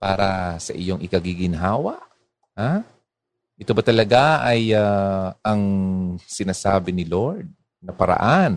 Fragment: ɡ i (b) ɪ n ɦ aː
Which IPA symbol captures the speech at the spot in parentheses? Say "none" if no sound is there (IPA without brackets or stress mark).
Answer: ɡ